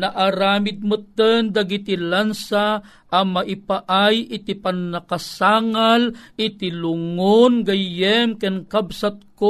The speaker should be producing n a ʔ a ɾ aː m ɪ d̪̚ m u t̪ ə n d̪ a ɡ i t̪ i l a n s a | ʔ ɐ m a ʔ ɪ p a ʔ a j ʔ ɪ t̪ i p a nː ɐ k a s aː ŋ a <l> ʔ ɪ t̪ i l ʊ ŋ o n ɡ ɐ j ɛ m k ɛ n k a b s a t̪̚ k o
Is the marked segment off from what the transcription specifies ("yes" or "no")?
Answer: no